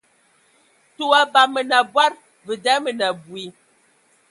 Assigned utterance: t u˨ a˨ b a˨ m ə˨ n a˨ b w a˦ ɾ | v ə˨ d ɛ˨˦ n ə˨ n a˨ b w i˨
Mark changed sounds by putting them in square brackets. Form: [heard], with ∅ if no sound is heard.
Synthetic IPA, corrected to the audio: t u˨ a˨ b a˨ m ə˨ n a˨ b w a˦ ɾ | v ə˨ d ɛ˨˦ [m] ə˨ n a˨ b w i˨